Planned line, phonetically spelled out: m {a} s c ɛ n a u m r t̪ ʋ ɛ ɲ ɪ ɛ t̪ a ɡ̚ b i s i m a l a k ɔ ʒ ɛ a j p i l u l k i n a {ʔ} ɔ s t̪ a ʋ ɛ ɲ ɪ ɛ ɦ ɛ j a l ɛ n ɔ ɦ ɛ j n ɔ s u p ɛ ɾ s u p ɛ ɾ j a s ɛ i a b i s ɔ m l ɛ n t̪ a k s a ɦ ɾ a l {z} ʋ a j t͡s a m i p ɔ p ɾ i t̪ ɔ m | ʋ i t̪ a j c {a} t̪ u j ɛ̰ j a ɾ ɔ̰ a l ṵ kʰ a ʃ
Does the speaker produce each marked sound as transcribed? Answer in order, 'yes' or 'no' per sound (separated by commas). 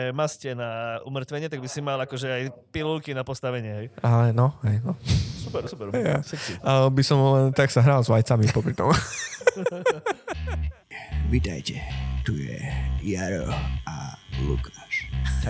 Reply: yes, no, yes, no